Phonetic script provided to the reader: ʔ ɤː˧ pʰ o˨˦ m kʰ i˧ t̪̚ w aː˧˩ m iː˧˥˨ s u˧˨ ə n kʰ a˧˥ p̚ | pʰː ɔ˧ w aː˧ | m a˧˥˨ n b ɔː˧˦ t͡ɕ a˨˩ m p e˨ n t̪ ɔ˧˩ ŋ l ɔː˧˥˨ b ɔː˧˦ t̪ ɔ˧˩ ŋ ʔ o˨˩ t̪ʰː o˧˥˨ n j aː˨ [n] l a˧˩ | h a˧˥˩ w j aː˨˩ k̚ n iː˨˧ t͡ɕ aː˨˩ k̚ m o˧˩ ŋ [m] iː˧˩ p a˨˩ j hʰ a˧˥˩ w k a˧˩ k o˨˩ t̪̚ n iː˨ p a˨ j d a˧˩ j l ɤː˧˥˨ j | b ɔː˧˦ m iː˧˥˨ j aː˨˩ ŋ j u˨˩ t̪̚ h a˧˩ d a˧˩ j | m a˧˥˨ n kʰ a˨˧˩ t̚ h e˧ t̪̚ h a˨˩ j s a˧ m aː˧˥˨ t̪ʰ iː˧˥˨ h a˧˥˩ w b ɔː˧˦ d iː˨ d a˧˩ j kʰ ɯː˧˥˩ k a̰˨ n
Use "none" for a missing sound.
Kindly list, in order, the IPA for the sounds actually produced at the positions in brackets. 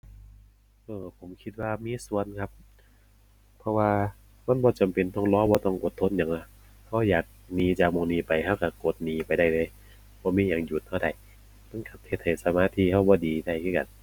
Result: ŋ, n

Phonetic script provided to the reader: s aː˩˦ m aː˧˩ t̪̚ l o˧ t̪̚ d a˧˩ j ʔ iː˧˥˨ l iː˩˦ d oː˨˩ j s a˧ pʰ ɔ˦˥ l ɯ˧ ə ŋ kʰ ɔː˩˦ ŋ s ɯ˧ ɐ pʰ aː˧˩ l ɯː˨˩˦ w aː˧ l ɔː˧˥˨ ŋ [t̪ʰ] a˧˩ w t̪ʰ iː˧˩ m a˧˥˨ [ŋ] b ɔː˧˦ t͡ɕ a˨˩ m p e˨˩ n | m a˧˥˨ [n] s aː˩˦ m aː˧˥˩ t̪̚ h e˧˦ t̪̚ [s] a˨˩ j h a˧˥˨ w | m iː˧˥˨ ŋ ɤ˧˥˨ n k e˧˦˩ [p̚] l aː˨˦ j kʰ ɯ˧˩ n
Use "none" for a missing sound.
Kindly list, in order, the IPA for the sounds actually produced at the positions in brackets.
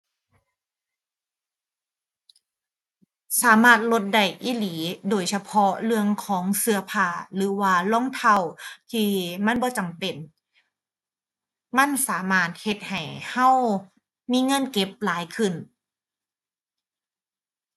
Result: t̪ʰ, n, n, h, p̚

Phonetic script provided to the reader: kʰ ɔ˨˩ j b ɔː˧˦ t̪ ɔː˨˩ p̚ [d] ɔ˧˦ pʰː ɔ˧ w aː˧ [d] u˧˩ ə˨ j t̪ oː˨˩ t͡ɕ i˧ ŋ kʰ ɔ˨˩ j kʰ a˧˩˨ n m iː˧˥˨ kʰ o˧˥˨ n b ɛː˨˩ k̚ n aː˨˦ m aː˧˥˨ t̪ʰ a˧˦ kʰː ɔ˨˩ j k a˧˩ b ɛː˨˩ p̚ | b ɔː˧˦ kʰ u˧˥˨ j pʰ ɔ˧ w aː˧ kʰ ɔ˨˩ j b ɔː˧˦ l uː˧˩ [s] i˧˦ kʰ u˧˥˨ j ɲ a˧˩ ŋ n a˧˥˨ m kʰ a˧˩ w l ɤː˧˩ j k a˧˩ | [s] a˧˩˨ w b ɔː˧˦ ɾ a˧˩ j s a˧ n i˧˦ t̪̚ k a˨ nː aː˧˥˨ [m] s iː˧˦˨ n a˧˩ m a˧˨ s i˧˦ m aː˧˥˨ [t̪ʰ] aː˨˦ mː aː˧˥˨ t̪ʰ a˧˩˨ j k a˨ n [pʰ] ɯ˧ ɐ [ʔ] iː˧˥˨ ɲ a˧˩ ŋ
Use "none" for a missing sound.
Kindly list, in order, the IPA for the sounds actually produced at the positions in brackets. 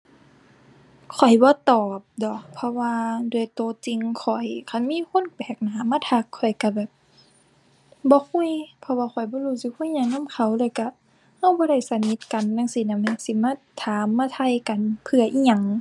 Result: d, d, s, h, ŋ, t̪ʰ, pʰ, ʔ

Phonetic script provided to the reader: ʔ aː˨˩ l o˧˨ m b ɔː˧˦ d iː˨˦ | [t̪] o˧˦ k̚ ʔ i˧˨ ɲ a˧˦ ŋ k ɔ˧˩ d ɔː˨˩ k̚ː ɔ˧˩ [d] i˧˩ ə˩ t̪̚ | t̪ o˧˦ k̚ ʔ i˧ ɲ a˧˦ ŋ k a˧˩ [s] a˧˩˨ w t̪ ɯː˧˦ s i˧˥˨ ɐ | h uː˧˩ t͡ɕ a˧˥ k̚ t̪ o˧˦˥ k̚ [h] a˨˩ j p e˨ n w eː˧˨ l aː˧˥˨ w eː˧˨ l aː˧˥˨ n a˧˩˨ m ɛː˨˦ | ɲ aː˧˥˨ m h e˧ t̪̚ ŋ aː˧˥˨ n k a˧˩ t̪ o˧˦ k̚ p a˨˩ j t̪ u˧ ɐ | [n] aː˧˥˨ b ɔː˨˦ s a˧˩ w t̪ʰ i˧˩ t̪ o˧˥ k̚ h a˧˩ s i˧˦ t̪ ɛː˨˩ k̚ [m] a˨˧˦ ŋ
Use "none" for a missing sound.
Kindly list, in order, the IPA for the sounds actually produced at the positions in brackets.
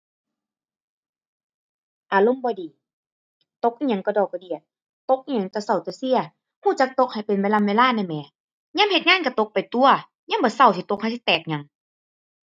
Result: t̪, d, s, h, ɲ, ɲ

